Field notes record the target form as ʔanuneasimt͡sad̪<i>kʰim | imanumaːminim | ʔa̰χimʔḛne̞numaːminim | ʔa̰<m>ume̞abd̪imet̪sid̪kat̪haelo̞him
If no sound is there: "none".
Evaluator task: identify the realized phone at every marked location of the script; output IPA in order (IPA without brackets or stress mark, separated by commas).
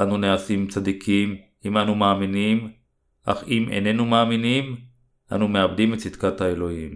i, n